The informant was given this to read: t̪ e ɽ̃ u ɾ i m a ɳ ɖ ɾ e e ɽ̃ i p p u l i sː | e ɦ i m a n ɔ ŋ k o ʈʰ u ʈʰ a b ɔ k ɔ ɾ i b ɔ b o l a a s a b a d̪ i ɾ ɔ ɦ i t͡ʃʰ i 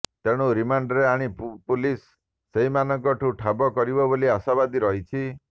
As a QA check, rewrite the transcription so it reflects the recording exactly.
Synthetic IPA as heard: t̪ e ɽ̃ u ɾ i m a ɳ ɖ ɾ e a ɽ̃ i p p u l i sː | e ɦ i m a n ɔ ŋ k ɔ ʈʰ u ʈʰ a b ɔ k ɔ ɾ i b ɔ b o l i a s a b a d̪ i ɾ ɔ ɦ i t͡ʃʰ i